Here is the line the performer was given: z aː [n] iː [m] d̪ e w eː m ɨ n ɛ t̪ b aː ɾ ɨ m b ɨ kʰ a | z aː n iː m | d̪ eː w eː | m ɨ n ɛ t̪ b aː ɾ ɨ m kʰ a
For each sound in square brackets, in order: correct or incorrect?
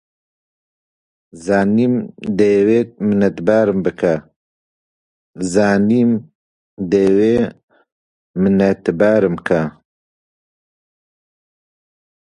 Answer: correct, correct

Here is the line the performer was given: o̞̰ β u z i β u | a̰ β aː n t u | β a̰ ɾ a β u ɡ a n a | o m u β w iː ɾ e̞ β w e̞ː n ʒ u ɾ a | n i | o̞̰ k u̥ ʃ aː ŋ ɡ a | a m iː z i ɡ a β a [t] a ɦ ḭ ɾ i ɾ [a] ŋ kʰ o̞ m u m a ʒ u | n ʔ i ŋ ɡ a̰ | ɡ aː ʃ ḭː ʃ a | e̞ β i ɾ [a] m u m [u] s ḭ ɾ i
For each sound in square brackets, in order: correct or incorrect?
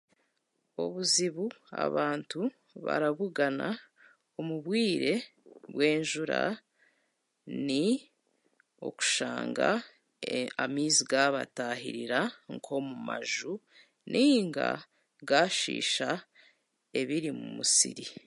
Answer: correct, correct, incorrect, correct

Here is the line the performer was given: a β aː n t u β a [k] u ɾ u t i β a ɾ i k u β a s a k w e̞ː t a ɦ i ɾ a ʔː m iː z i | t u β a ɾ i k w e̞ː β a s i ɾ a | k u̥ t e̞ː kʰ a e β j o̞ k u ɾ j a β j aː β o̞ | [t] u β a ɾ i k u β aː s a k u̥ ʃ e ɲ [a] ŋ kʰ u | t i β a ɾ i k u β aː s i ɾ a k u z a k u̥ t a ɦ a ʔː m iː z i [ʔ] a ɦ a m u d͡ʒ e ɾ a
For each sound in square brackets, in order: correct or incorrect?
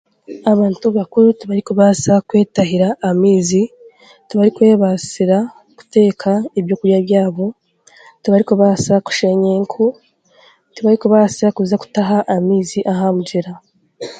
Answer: correct, correct, incorrect, correct

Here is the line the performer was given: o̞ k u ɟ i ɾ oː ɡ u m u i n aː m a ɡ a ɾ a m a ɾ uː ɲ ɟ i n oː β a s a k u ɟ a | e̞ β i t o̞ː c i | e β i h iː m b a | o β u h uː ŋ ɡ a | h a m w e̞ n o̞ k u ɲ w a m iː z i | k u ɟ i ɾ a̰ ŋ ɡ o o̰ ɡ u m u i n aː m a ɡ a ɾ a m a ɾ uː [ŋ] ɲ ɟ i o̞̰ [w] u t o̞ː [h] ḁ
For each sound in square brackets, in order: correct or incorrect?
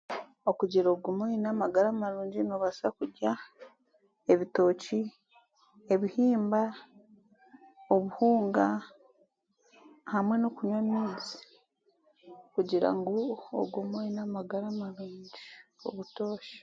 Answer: incorrect, incorrect, incorrect

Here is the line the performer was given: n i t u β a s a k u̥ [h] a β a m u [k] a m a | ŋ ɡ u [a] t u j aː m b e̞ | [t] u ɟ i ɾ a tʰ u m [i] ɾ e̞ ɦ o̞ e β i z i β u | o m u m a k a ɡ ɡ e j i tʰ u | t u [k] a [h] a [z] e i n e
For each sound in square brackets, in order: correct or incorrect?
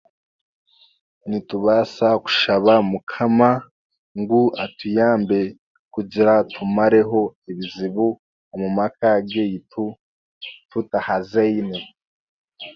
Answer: incorrect, incorrect, correct, incorrect, incorrect, incorrect, correct, correct

